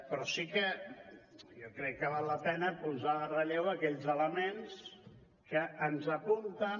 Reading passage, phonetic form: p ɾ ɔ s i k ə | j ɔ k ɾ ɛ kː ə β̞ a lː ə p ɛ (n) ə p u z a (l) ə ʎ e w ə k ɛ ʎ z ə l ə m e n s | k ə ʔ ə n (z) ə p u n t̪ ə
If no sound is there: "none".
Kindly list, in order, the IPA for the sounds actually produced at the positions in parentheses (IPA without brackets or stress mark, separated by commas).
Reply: n, r, z